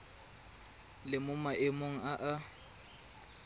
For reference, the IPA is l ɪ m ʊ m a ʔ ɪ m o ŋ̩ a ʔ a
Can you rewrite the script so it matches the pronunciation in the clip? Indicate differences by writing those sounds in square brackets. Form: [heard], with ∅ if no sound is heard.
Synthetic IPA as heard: l ɪ m ʊ m a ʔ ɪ m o ŋ̩ a ʔ a